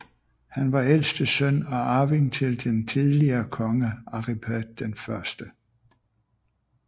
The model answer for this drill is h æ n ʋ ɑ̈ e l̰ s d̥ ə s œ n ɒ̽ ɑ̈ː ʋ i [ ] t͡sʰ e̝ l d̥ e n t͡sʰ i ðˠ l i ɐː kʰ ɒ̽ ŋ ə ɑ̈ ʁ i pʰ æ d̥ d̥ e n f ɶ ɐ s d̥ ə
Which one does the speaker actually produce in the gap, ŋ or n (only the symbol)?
ŋ